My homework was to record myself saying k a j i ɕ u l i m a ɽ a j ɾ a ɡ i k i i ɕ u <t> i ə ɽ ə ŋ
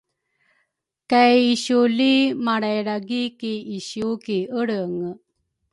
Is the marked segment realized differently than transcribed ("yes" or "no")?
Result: yes